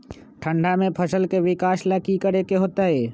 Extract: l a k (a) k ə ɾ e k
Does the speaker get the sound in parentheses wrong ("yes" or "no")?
yes